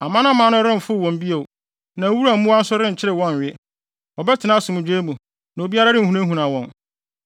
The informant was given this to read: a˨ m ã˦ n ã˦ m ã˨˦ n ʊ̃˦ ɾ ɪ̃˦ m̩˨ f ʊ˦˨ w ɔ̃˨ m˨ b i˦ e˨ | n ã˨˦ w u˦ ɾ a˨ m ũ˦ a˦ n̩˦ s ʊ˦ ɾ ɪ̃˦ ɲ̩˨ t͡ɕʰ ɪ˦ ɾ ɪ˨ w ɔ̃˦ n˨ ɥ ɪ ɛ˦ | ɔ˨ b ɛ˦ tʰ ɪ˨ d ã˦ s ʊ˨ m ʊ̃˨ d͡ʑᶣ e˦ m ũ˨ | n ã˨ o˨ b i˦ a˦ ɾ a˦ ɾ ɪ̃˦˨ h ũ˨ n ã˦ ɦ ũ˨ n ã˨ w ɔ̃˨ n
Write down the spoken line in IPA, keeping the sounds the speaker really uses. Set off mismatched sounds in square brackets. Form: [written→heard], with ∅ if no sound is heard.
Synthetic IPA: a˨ m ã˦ n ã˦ m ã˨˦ n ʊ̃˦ ɾ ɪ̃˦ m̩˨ f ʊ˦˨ w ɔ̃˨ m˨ b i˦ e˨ | n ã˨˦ w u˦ ɾ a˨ m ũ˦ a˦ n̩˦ s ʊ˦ ɾ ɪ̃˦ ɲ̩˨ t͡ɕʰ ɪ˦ ɾ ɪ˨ w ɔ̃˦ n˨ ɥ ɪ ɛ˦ | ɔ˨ b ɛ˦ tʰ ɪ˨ [d→n] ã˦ s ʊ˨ m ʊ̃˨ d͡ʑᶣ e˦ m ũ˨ | n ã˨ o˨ b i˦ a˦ ɾ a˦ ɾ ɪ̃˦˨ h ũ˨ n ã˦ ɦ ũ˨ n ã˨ w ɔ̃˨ n